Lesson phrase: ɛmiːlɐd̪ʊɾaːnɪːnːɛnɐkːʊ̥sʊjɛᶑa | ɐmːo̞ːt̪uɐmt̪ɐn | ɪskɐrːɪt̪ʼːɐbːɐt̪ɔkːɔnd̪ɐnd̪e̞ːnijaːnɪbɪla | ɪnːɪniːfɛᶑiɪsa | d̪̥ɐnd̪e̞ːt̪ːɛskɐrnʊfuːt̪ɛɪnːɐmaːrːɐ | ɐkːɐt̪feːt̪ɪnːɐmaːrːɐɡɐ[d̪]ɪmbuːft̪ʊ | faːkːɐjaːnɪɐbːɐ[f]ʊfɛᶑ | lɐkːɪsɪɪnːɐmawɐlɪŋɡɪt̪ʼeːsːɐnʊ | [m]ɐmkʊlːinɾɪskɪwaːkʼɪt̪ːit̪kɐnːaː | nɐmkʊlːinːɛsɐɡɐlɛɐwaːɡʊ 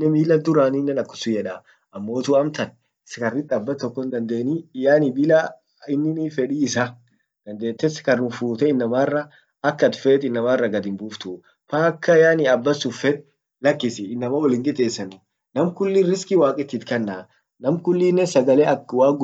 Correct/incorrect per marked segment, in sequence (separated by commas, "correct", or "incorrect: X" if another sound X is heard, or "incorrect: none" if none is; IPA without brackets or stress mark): correct, incorrect: s, incorrect: n